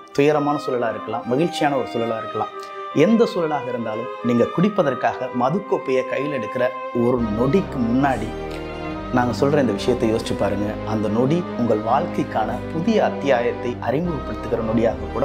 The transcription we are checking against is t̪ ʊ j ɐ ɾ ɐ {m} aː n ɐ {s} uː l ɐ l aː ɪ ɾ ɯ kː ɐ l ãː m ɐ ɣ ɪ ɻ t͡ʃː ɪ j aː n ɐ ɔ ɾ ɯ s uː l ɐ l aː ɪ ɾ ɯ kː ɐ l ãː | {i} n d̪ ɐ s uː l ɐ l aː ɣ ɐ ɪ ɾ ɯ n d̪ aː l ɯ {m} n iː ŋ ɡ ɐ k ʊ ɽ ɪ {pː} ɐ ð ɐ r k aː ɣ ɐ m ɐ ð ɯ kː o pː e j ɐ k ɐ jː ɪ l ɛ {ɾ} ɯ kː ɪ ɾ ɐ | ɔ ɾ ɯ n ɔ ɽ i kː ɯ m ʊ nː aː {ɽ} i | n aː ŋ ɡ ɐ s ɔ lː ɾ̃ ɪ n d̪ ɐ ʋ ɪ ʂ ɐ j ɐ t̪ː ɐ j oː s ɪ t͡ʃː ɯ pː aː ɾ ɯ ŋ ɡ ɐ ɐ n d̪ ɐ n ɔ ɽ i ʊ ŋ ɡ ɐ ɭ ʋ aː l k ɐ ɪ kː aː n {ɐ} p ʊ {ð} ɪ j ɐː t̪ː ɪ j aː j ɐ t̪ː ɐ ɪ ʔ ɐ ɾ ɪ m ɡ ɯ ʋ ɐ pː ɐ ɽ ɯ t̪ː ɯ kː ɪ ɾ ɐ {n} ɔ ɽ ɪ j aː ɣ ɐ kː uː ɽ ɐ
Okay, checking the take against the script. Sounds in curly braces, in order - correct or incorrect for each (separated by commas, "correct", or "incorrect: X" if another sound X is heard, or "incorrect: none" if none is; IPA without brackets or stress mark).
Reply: correct, correct, incorrect: ɛ, correct, correct, incorrect: ɽ, correct, correct, correct, correct